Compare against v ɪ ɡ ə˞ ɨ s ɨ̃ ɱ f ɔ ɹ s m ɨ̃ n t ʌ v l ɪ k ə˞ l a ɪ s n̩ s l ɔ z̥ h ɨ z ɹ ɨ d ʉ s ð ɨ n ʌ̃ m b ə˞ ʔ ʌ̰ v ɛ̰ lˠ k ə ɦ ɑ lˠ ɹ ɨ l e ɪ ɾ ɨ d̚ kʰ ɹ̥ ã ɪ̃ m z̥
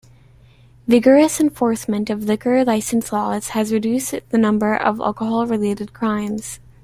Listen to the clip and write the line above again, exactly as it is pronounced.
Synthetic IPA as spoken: v ɪ ɡ ə˞ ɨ s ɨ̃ ɱ f ɔ ɹ s m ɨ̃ n t ʌ v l ɪ k ə˞ l a ɪ s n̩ s l ɔ z̥ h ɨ z ɹ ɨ d ʉ s ð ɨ n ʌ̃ m b ə˞ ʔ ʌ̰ v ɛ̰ lˠ k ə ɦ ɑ lˠ ɹ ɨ l e ɪ ɾ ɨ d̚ kʰ ɹ̥ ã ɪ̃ m z̥

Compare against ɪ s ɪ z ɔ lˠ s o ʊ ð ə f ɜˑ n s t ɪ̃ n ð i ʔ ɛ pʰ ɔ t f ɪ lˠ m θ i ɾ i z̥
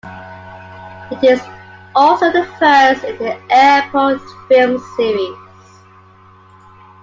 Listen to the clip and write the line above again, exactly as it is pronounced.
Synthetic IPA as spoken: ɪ t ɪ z ɔ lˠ s o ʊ ð ə f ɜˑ s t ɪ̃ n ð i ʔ ɛ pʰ ɔ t f ɪ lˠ m s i ɹ i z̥

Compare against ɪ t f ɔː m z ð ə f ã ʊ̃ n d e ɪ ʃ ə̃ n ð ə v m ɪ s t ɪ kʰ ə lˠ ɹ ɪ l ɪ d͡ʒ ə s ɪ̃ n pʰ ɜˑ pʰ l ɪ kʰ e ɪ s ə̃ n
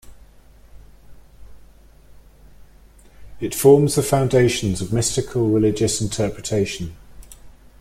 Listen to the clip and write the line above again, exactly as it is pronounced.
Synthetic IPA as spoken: ɪ t f ɔː m z ð ə f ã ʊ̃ n d e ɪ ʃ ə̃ n z ə v m ɪ s t ɪ kʰ ə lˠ ɹ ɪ l ɪ d͡ʒ ə s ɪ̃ n tʰ ɜˑ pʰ ɹ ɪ tʰ e ɪ ʃ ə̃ n

